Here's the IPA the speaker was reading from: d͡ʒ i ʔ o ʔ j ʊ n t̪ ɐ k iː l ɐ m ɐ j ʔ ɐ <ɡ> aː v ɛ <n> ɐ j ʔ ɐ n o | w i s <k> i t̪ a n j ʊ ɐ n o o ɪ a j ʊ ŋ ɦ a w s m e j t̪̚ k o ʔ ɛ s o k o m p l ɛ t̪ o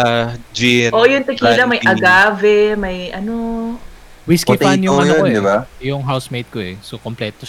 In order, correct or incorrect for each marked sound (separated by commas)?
correct, incorrect, correct